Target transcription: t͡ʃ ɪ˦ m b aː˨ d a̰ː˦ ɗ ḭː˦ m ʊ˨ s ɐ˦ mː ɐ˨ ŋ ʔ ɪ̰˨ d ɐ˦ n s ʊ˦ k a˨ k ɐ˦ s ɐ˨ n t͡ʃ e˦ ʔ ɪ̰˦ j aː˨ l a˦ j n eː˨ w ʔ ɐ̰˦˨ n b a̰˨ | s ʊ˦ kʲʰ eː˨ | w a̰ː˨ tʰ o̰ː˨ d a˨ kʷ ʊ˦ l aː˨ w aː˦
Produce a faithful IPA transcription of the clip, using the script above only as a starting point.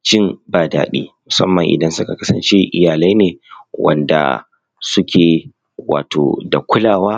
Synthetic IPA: t͡ʃ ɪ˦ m b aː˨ d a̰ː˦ ɗ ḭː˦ m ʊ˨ s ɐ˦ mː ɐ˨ ŋ ʔ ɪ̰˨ d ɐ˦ n s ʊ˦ k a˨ k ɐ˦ s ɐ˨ n t͡ʃ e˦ ʔ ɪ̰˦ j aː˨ l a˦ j n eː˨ w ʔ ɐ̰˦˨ n d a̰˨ | s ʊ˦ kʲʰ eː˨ | w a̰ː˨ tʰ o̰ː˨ d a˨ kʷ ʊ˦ l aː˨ w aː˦